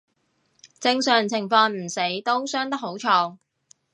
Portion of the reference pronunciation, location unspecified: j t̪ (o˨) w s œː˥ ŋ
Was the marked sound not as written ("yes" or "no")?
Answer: yes